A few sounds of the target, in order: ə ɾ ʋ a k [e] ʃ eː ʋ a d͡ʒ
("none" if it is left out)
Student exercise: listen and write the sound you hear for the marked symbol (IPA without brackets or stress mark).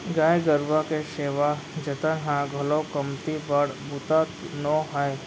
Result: e